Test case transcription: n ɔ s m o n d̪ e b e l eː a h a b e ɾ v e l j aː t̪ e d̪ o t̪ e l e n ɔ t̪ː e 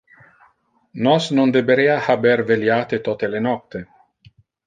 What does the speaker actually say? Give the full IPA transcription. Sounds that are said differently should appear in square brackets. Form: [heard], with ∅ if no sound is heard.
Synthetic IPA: n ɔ s [n] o n d̪ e b e [ɾ] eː a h a b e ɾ v e l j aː t̪ e [t̪] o t̪ e l e n ɔ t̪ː e